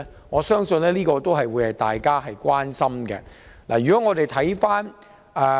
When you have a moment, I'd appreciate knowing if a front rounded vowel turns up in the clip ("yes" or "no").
yes